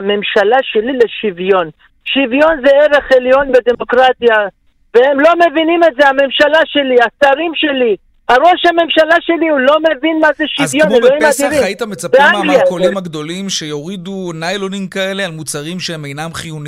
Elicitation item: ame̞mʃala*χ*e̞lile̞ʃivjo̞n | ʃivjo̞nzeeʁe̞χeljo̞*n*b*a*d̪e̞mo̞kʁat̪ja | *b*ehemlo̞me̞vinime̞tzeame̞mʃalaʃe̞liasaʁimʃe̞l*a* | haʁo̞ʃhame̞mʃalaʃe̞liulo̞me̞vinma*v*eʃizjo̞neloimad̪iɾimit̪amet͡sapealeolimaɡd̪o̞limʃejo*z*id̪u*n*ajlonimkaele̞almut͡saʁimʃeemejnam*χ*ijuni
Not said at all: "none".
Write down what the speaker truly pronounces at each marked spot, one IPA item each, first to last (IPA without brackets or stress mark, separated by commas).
ʃ, n, e, v, i, z, ʁ, n, χ